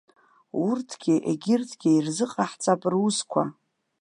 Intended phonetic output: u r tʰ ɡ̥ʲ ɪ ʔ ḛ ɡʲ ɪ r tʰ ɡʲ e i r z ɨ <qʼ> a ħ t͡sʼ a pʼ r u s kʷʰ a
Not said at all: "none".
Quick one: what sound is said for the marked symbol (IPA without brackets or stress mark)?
qʼ